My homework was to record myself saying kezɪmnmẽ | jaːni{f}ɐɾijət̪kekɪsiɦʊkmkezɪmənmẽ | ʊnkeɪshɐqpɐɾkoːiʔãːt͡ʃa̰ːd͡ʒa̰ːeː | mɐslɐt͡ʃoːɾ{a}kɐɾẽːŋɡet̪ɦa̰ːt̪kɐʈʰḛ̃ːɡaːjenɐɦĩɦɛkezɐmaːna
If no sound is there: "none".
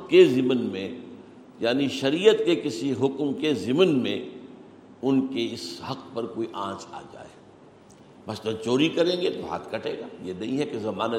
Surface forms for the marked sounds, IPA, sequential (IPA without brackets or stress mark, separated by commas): ʃ, i